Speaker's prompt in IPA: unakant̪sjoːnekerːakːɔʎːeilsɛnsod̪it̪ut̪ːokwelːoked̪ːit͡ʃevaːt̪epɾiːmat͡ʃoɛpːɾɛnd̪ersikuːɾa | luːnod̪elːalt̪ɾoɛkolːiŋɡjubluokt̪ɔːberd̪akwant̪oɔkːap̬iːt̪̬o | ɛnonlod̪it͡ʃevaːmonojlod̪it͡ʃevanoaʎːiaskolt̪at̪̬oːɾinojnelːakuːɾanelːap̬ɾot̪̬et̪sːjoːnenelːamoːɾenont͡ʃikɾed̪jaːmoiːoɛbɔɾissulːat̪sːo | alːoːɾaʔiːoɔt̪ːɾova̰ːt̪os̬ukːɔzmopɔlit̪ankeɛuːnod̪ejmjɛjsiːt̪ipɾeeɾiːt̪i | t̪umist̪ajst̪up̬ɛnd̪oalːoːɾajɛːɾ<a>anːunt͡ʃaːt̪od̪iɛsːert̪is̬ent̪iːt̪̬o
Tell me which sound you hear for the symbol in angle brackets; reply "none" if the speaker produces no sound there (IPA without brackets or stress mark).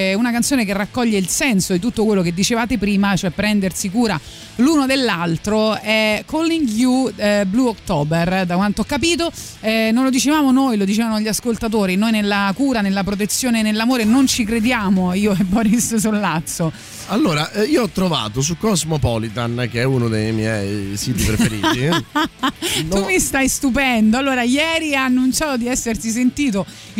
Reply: i